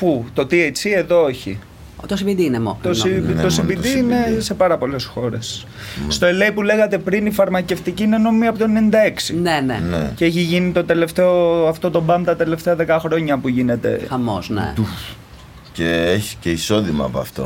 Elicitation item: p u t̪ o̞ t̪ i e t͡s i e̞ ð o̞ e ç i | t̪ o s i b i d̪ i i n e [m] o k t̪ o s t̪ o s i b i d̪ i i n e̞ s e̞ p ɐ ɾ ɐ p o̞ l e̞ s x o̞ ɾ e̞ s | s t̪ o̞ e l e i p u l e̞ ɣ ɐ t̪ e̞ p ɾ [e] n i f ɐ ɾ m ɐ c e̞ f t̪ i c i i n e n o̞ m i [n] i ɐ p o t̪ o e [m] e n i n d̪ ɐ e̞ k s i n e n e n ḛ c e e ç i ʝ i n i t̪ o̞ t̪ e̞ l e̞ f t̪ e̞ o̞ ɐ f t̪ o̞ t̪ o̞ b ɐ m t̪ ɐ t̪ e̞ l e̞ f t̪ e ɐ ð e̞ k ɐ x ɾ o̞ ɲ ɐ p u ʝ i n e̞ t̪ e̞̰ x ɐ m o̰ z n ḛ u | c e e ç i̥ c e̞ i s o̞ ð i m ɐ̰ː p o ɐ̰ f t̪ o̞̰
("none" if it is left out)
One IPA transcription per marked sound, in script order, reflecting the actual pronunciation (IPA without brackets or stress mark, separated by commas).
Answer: m, i, m, n